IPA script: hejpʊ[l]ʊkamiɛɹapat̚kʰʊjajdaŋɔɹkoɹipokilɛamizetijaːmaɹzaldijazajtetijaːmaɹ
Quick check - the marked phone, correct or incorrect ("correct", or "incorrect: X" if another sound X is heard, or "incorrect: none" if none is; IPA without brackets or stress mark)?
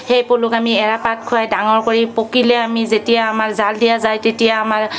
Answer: correct